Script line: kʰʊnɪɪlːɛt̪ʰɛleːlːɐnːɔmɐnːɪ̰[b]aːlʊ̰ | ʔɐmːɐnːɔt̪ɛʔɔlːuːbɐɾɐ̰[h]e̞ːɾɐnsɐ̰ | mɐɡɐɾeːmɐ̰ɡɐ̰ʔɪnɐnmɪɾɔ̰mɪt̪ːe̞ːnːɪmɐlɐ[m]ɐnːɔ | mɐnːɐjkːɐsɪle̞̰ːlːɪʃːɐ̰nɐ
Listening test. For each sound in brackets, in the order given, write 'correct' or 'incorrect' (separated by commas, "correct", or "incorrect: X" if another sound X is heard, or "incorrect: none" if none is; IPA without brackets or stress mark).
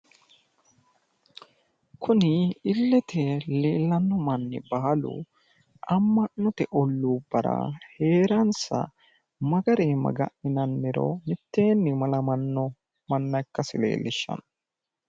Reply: correct, correct, correct